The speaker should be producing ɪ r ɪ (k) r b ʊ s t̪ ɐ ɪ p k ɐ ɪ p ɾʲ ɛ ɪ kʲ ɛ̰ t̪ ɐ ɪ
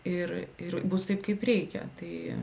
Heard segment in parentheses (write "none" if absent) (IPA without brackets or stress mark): none